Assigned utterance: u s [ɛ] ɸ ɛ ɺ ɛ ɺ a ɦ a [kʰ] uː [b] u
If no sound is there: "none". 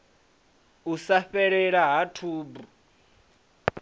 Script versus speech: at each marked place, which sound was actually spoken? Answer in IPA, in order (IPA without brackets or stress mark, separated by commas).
a, tʰ, b